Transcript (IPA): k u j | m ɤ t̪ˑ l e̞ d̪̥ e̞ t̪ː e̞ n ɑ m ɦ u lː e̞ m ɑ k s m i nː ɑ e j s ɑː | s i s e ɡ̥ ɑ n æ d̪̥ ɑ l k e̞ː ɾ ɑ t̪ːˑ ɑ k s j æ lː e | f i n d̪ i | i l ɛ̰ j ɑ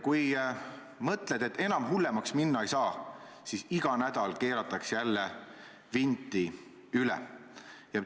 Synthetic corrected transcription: k u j | m ɤ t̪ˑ l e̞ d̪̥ e̞ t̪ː e̞ n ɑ m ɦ u lː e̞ m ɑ k s m i nː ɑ e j s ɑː | s i s i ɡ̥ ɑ n æ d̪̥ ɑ l k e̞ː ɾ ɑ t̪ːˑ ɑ k s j æ lː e | v i n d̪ i | y l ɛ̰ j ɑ